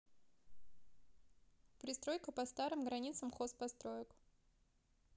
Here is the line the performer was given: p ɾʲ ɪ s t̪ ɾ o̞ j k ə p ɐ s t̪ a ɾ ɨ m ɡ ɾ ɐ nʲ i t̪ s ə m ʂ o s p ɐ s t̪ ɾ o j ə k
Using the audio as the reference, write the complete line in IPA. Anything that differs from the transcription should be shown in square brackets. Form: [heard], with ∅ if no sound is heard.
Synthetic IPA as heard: p ɾʲ ɪ s t̪ ɾ o̞ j k ə p ɐ s t̪ a ɾ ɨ m ɡ ɾ ɐ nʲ i t̪ s ə m [x] o s p ɐ s t̪ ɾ o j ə k